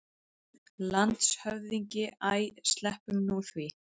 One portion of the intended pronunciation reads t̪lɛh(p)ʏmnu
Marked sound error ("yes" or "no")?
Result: no